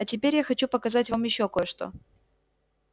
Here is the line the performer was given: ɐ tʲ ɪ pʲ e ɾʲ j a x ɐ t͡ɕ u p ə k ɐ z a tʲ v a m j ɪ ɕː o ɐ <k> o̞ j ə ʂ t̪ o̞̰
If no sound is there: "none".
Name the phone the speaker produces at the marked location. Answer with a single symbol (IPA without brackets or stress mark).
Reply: k